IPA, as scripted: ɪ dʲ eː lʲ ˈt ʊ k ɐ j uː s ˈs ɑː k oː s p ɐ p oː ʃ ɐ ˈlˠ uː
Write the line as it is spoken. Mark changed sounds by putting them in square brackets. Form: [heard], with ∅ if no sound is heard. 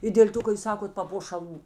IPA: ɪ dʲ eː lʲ ˈt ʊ k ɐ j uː s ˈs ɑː k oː [t] p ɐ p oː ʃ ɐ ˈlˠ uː

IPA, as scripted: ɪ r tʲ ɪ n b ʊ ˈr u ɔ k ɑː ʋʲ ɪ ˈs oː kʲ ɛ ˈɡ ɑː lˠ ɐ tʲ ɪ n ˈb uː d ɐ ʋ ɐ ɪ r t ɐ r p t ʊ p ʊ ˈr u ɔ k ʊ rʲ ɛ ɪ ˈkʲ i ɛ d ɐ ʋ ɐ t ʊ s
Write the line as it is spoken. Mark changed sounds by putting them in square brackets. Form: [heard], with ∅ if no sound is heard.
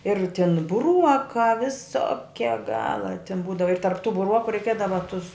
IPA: ɪ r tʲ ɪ n b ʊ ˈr u ɔ k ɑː ʋʲ ɪ ˈs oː kʲ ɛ ˈɡ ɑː lˠ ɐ tʲ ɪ n ˈb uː d ɐ ʋ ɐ ɪ r t ɐ r p t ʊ [b] ʊ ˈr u ɔ k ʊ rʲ ɛ ɪ ˈkʲ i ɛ d ɐ ʋ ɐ t ʊ s

